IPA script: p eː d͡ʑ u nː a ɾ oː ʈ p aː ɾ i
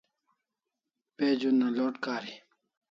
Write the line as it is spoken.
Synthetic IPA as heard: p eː d͡ʑ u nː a l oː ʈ k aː ɾ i

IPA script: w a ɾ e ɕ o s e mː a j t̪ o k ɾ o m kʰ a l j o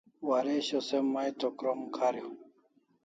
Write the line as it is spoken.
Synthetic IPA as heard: w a ɾ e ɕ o s e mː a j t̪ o k ɾ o m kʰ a ɾ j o

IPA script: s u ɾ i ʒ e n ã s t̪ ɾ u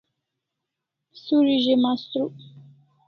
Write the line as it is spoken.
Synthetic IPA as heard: s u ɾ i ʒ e m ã s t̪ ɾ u

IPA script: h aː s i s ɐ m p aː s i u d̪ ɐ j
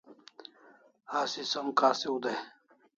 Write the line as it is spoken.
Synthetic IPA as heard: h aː s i s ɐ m k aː s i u d̪ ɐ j

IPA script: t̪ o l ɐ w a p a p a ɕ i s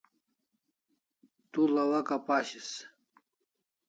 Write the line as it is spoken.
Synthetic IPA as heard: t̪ u l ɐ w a k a p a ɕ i s

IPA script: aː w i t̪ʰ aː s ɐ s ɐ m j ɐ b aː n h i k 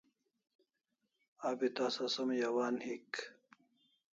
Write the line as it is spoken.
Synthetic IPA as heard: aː b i t̪ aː s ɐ s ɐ m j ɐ w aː n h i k

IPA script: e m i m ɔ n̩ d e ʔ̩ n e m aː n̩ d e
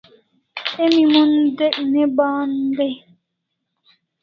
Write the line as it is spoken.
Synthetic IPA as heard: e m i m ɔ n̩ d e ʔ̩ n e b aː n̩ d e

